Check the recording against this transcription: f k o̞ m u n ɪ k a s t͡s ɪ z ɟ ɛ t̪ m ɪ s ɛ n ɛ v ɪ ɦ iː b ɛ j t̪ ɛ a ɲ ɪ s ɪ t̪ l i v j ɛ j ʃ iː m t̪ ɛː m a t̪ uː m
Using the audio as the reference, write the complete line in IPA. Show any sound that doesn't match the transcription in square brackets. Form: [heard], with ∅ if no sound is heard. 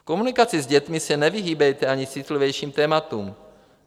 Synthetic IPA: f k o̞ m u n ɪ k a [∅] t͡s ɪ z ɟ ɛ t̪ m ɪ s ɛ n ɛ v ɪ ɦ iː b ɛ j t̪ ɛ a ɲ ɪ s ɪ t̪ l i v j ɛ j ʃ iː m t̪ ɛː m a t̪ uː m